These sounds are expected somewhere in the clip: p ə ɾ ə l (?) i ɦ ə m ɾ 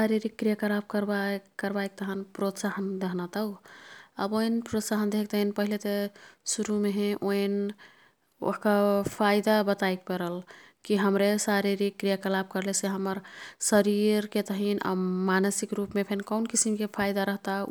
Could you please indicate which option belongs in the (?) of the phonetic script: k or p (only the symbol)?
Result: k